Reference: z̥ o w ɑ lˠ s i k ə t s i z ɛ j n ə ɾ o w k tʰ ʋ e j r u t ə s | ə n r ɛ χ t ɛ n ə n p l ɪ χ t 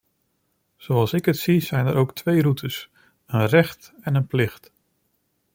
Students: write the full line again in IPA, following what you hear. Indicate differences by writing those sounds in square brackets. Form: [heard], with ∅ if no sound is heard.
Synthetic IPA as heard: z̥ o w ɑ lˠ s [ɪ] k ə t s i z ɛ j n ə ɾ o w k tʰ ʋ e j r u t ə s | ə n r ɛ χ t ɛ n ə n p l ɪ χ t